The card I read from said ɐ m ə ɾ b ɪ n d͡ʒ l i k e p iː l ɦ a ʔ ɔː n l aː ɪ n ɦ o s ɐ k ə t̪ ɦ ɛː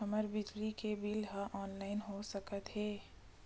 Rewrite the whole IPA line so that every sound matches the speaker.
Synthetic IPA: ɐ m ə ɾ b ɪ d͡ʒ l i k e b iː l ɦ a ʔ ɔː n l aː ɪ n ɦ o s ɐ k ə t̪ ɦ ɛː